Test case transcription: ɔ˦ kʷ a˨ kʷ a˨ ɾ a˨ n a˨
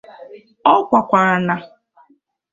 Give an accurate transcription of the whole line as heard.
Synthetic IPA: ɔ˦ kʷ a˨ kʷ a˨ ɾ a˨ n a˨